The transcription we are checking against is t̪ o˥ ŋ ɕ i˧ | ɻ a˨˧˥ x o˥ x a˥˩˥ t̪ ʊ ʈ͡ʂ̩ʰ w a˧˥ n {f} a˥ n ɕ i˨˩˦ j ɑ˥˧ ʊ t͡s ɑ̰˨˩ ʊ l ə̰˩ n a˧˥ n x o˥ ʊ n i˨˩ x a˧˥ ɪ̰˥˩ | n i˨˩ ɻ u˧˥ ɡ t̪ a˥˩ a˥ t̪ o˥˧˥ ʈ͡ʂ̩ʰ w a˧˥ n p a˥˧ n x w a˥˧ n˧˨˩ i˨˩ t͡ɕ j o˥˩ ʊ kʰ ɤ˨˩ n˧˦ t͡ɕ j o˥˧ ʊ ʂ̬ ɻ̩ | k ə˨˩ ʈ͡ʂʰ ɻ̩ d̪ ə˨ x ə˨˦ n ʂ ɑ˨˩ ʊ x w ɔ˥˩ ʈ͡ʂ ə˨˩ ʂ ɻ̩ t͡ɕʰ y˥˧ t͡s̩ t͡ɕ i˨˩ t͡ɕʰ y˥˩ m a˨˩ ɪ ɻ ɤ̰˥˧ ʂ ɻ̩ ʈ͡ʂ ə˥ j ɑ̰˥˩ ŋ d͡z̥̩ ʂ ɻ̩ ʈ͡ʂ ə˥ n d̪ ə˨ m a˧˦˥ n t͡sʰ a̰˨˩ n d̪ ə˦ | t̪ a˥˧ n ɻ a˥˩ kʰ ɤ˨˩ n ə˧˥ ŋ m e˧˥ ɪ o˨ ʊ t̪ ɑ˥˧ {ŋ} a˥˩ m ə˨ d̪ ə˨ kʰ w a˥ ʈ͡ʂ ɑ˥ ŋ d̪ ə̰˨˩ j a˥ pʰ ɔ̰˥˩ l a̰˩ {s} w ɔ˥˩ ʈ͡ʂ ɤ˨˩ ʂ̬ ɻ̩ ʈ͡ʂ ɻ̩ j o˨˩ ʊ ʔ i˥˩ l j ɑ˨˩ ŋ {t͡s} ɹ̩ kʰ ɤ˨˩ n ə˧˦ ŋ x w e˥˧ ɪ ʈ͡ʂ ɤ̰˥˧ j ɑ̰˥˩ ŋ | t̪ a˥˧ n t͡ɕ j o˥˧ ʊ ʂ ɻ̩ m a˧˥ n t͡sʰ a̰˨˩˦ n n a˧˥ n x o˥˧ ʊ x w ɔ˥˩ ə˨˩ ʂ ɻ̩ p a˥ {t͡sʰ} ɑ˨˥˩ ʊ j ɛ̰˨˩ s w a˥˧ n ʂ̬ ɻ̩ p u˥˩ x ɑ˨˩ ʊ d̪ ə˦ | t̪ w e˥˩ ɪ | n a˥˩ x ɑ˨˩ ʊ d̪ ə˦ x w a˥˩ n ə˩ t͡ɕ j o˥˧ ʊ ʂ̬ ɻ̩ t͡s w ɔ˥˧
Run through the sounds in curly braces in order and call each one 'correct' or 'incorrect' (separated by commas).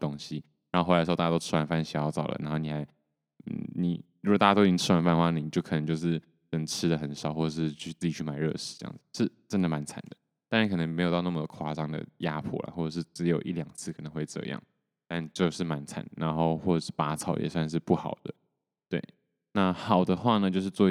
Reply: correct, incorrect, incorrect, incorrect, correct